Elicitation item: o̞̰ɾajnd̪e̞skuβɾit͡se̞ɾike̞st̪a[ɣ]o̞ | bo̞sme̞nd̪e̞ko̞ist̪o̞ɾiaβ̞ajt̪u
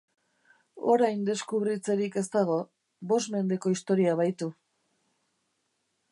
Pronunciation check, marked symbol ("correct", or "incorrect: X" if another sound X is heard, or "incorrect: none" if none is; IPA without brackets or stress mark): correct